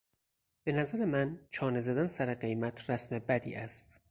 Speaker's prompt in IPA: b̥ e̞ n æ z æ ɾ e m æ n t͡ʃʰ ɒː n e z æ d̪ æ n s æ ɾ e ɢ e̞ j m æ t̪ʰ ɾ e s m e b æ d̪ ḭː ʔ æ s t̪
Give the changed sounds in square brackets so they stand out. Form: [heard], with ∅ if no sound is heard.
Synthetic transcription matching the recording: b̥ e̞ n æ z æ ɾ e m æ n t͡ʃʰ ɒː n e z æ d̪ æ n s æ ɾ e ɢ e̞ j m æ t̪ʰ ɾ [æ] s m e b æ d̪ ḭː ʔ æ s t̪